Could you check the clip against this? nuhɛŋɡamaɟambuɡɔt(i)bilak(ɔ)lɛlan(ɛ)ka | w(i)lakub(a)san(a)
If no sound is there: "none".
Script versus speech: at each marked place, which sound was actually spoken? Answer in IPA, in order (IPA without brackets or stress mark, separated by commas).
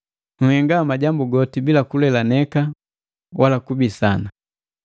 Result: i, u, ɛ, a, i, a